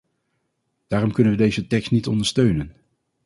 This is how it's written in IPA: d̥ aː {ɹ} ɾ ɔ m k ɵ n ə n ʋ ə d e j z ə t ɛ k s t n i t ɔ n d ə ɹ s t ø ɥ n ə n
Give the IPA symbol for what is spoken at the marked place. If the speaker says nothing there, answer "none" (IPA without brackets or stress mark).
none